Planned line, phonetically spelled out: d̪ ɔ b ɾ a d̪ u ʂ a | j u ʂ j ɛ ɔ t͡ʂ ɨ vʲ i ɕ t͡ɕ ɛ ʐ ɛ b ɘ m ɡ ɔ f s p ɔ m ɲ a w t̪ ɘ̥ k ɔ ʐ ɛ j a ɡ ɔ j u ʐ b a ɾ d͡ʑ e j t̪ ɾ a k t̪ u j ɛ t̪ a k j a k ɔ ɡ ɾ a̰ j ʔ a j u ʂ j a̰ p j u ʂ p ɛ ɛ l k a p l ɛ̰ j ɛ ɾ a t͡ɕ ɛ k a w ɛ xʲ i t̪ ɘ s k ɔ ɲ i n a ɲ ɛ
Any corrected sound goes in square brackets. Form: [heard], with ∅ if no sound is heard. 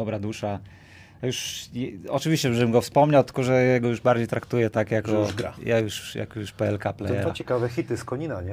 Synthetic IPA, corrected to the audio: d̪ ɔ b ɾ a d̪ u ʂ a | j u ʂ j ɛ ɔ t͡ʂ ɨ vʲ i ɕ t͡ɕ ɛ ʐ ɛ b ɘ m ɡ ɔ f s p ɔ m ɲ a w t̪ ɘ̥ k ɔ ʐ ɛ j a ɡ ɔ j u ʐ b a ɾ d͡ʑ e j t̪ ɾ a k t̪ u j ɛ t̪ a k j a k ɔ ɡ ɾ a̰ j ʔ a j u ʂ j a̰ [k] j u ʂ p ɛ ɛ l k a p l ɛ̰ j ɛ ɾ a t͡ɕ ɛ k a [v] ɛ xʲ i t̪ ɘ s k ɔ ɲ i n a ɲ ɛ